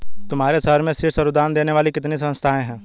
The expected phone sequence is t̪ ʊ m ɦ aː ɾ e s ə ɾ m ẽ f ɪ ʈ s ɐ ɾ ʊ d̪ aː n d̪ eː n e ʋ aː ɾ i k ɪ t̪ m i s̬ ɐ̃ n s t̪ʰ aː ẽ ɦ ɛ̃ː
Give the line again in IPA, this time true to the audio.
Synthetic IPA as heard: t̪ ʊ m ɦ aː ɾ e s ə ɾ m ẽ s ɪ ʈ s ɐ ɾ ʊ d̪ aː n d̪ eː n e ʋ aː l i k ɪ t̪ n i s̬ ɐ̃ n s t̪ʰ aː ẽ ɦ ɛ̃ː